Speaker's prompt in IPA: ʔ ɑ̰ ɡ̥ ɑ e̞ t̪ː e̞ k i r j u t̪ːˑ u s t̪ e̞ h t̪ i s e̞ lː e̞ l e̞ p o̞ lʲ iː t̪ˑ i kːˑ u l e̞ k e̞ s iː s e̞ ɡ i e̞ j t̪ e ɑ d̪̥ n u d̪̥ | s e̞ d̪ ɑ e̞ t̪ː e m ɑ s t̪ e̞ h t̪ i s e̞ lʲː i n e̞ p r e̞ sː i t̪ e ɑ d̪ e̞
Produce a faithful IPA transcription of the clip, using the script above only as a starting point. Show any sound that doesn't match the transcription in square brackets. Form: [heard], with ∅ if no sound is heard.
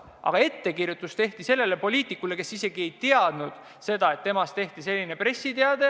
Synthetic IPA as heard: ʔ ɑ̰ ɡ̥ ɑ e̞ t̪ː e̞ k i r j u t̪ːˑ u s t̪ e̞ h t̪ i s e̞ lː e̞ l e̞ p o̞ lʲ iː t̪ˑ i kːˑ u l e̞ k e̞ s [i] s e̞ ɡ i e̞ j t̪ e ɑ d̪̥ n u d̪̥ | s e̞ d̪ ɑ e̞ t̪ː e m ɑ s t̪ e̞ h t̪ i s e̞ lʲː i n e̞ p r e̞ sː i t̪ e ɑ d̪ e̞